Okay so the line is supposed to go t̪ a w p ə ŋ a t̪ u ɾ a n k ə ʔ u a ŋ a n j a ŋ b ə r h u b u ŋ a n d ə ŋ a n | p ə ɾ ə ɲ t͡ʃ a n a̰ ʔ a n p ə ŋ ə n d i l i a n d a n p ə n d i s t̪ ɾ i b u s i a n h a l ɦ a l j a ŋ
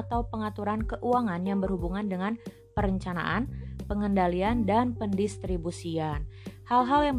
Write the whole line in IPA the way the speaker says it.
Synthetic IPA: t̪ a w p ə ŋ a t̪ u ɾ a n k ə ʔ u a ŋ a n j a ŋ b ə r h u b u ŋ a n d ə ŋ a n | p ə ɾ ə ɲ t͡ʃ a n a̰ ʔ a n p ə ŋ ə n d a l i a n d a n p ə n d i s t̪ ɾ i b u s i a n h a l ɦ a l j a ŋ